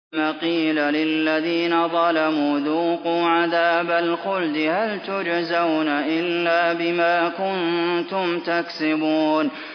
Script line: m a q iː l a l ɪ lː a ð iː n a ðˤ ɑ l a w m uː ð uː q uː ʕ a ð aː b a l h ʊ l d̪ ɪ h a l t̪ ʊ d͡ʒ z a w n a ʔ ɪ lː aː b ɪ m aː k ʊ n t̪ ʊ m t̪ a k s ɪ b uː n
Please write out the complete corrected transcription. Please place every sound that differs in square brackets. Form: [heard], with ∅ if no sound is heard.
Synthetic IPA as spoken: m a q iː l a l ɪ lː a ð iː n a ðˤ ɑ l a [∅] m uː ð uː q uː ʕ a ð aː b a l [x] ʊ l d̪ ɪ h a l t̪ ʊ d͡ʒ z a w n a ʔ ɪ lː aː b ɪ m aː k ʊ n t̪ ʊ m t̪ a k s ɪ b uː n